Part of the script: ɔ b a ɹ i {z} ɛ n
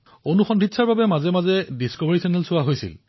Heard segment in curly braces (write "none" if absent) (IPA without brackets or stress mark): s